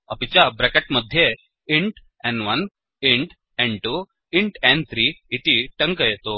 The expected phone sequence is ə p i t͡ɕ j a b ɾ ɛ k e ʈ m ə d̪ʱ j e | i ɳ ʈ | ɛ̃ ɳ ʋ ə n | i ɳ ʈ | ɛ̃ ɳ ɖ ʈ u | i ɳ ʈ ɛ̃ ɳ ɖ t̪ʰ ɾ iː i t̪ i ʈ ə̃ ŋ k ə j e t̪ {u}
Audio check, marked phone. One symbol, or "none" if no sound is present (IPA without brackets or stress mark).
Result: o